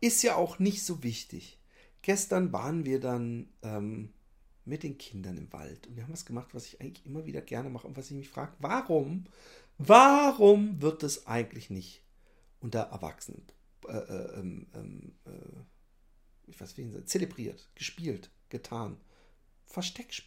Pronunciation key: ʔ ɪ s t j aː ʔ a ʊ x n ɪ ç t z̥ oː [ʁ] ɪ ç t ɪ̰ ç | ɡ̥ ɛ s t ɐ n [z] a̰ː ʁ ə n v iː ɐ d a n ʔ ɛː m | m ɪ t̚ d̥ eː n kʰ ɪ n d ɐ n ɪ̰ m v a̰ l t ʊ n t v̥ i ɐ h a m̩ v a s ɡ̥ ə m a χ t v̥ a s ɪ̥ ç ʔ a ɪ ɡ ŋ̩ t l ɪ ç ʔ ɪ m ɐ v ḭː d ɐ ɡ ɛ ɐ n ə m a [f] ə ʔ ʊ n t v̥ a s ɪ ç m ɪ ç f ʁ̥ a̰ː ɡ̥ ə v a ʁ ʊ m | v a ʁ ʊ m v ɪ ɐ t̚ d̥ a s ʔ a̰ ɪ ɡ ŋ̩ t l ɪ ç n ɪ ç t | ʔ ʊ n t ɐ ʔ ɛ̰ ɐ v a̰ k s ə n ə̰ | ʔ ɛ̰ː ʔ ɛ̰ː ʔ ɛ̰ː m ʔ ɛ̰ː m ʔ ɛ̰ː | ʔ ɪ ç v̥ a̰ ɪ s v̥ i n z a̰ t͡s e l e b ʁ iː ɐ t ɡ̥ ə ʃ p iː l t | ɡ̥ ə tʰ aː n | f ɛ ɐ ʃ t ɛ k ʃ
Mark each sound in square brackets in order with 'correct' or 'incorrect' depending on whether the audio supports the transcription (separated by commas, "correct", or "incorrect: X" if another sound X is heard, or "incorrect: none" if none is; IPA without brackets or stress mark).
incorrect: v, incorrect: v, incorrect: χ